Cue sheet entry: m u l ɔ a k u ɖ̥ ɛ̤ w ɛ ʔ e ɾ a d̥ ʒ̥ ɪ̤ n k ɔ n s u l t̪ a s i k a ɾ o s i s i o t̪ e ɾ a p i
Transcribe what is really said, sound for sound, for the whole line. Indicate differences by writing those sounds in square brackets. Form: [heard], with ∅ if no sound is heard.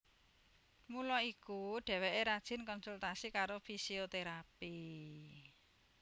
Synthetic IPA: m u l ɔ [i] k u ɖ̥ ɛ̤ w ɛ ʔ e ɾ a d̥ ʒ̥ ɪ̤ n k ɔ n s u l t̪ a s i k a ɾ o [f] i s i o t̪ e ɾ a p i